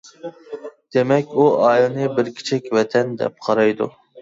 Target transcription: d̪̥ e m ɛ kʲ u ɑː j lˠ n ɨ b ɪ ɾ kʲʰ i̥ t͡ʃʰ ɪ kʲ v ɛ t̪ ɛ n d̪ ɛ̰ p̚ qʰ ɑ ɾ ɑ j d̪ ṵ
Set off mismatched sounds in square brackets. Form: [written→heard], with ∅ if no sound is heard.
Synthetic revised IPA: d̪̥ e m ɛ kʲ u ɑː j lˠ n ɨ b ɪ ɾ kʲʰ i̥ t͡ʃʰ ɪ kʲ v ɛ [t̪→t̪ʰ] ɛ n d̪ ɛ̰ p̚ qʰ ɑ ɾ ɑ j d̪ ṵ